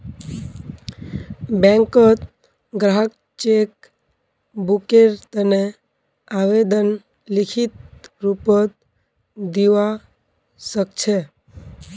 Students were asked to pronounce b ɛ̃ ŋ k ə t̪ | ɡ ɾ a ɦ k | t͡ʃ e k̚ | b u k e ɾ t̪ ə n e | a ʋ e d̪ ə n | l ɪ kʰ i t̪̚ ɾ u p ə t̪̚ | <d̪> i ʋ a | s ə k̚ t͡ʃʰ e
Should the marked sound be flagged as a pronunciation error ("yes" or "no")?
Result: no